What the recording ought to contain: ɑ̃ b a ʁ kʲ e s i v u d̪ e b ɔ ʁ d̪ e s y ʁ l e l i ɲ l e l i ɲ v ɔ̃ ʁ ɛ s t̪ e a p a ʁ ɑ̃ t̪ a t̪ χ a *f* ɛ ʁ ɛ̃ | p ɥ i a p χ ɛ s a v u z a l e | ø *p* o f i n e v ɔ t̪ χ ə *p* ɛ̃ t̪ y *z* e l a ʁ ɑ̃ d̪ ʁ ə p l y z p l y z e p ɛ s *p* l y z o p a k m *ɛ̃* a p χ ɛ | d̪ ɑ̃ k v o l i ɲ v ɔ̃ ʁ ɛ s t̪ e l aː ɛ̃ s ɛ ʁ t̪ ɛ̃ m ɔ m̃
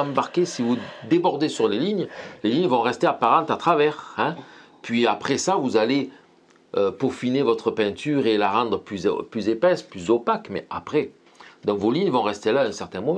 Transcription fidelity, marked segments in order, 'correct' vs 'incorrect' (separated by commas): incorrect, correct, correct, incorrect, correct, incorrect